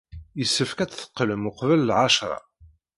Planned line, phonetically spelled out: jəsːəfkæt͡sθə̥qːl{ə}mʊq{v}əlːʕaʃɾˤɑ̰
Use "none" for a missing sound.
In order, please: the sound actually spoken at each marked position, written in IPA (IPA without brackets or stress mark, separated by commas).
ə, v